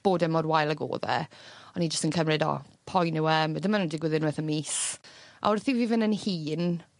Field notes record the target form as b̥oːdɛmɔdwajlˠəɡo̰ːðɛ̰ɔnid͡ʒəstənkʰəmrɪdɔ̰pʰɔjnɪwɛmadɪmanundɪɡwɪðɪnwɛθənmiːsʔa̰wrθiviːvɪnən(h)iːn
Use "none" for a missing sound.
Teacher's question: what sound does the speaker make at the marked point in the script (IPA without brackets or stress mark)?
h